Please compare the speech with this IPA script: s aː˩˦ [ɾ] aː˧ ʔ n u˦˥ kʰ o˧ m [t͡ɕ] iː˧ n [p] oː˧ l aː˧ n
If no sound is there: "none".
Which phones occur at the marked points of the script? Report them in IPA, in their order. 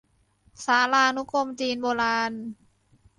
l, t͡ɕ, b

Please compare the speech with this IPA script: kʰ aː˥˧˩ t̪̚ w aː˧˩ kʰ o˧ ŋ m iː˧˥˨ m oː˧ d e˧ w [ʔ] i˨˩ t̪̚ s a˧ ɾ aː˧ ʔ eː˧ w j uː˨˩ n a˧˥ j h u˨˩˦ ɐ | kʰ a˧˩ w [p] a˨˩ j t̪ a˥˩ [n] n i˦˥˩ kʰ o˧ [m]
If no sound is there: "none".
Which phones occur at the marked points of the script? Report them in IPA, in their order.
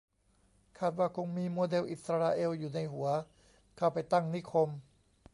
ʔ, p, ŋ, m

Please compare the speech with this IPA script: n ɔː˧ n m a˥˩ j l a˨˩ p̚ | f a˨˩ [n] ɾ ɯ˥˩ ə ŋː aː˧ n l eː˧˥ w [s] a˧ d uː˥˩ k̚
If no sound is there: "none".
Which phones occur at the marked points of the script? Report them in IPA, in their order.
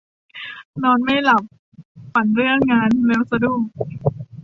n, s

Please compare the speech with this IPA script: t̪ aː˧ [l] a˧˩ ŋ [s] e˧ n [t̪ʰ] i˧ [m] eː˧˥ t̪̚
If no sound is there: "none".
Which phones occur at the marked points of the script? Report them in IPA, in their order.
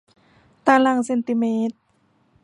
l, s, t̪, m

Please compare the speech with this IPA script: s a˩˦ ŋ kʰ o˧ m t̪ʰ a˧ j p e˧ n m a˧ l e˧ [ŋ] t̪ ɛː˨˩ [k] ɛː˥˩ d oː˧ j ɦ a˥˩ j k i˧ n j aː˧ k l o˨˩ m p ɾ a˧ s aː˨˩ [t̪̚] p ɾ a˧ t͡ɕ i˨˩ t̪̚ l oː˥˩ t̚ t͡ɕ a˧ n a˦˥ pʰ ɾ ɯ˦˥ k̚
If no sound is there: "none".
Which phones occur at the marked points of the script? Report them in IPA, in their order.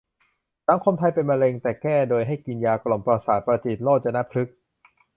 ŋ, k, t̪̚

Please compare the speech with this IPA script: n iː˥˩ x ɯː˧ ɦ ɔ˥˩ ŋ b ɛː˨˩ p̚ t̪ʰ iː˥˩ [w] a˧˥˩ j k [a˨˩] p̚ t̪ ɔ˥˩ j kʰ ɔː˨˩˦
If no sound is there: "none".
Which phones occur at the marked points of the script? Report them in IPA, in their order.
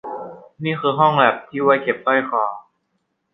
w, e˨˩

